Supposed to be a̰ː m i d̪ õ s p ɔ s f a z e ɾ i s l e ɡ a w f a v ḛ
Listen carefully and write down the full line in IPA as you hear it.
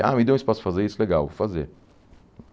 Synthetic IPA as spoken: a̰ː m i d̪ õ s p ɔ s f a z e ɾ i s l e ɡ a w f a z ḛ